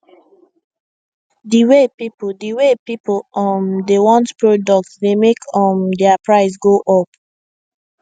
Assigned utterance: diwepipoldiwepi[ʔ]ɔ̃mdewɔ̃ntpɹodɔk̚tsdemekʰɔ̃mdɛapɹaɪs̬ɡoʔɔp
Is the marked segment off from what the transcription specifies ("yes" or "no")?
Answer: yes